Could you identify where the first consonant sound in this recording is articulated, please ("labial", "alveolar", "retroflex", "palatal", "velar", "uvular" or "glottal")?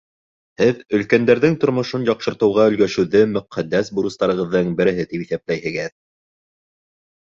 glottal